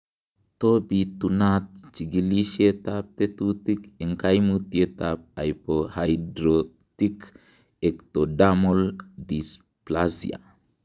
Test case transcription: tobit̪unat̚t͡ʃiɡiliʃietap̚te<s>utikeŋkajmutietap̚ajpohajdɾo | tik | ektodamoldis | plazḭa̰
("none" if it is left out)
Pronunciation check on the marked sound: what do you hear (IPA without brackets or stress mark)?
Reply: t